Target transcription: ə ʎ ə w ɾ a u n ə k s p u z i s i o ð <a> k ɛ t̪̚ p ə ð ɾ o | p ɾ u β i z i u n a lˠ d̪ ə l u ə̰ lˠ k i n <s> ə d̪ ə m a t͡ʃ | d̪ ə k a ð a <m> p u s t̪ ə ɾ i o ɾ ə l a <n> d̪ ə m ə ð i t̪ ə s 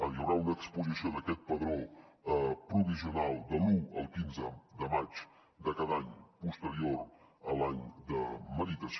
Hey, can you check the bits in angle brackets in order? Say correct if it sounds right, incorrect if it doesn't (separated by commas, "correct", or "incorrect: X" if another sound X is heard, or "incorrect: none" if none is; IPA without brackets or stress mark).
incorrect: ə, incorrect: z, incorrect: ɲ, incorrect: ɲ